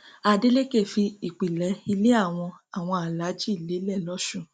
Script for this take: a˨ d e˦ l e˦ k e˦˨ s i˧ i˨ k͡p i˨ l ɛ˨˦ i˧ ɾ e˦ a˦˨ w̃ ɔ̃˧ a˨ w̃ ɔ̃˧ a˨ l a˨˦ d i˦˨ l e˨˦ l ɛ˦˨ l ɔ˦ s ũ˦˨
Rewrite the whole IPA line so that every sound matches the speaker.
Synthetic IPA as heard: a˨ d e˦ l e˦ k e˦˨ f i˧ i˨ k͡p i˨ l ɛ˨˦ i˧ l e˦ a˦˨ w̃ ɔ̃˧ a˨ w̃ ɔ̃˧ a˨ l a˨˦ d͡ʒ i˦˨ l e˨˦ l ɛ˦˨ l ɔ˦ ʃ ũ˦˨